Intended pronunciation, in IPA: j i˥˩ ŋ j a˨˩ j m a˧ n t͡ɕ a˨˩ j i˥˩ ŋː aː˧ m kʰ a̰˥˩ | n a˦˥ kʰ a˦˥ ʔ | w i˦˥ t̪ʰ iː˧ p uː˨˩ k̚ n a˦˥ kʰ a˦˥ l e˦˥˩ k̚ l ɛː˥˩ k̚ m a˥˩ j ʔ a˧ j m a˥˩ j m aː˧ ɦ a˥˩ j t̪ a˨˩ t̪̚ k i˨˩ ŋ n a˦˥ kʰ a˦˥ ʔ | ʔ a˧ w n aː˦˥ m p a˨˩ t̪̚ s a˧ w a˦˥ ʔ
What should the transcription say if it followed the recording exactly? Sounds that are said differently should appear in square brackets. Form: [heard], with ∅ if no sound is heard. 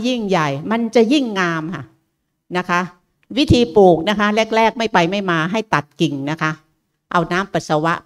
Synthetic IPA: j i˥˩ ŋ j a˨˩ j m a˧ n t͡ɕ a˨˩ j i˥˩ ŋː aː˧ m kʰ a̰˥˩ | n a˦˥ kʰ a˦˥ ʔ | w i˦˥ t̪ʰ iː˧ p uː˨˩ k̚ n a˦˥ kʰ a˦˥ l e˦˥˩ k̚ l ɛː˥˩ k̚ m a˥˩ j [p] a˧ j m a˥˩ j m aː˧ ɦ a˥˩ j t̪ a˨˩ t̪̚ k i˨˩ ŋ n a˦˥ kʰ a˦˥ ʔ | ʔ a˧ w n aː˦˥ m p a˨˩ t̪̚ s a˧ w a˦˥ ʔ